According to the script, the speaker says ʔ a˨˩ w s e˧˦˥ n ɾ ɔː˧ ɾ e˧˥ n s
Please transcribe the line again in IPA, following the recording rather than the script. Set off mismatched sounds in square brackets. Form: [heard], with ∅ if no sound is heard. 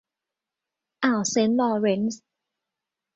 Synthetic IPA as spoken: ʔ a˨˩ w s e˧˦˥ n [l] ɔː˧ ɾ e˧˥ n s